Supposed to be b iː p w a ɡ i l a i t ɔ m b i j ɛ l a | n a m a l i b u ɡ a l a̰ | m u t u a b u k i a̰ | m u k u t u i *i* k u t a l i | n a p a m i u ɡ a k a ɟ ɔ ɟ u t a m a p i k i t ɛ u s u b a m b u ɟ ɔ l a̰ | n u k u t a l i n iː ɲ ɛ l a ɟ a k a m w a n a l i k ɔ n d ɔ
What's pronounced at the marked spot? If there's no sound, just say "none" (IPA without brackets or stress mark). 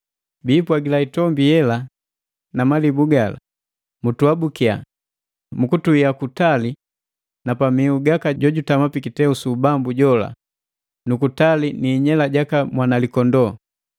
a